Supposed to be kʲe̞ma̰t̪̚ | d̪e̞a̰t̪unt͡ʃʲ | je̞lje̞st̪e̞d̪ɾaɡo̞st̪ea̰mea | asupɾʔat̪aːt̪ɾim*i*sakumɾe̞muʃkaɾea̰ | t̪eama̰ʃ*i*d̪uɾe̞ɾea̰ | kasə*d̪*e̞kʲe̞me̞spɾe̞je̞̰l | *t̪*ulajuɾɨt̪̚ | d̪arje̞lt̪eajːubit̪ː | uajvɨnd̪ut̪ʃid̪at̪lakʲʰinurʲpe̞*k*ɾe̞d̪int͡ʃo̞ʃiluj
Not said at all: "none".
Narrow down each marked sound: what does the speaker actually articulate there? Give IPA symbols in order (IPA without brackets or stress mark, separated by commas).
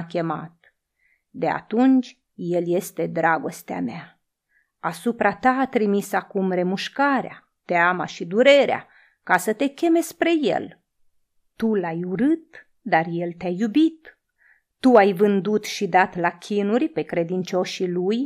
i, i, t̪, t̪, k